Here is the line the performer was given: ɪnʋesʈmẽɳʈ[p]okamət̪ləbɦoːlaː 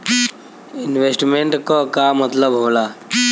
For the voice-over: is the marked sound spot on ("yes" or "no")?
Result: no